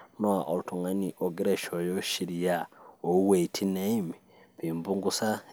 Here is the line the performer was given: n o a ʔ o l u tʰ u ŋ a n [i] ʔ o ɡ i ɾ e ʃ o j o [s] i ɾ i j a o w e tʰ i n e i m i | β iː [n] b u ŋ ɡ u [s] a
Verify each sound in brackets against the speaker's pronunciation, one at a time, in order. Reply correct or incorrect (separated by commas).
correct, incorrect, incorrect, correct